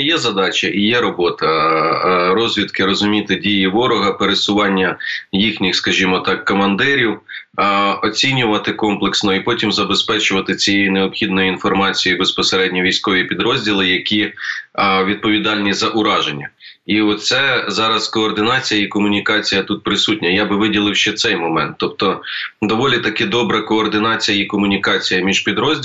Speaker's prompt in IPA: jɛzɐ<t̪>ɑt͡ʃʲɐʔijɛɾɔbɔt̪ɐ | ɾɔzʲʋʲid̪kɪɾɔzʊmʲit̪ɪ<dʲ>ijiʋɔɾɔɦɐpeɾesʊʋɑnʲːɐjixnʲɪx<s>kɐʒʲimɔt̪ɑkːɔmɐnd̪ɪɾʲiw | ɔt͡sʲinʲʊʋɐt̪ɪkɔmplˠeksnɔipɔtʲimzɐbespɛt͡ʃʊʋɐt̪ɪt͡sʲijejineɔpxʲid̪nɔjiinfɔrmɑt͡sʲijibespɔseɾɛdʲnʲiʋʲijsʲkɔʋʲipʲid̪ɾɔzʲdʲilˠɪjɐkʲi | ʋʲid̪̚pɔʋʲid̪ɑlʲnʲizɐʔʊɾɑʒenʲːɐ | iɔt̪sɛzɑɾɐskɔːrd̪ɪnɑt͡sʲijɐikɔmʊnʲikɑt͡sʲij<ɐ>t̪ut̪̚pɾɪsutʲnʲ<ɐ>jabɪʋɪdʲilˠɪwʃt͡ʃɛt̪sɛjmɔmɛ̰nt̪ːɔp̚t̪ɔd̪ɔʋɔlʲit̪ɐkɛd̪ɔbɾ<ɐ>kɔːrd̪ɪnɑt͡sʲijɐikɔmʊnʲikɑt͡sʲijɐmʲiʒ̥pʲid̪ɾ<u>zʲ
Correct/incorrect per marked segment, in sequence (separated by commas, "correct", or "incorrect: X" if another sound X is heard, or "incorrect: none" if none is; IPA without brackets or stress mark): incorrect: d̪, correct, correct, correct, correct, correct, incorrect: ɔ